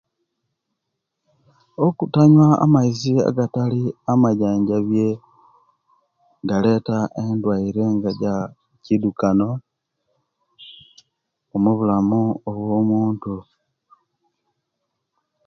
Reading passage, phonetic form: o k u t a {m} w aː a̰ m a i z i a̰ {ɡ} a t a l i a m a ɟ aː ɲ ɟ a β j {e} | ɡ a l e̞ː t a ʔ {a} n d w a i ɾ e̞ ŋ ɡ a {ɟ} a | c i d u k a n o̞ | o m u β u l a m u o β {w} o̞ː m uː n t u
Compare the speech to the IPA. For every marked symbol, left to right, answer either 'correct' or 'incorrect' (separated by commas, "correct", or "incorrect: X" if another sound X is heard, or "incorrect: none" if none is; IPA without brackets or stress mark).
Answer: incorrect: ɲ, correct, correct, incorrect: e, correct, correct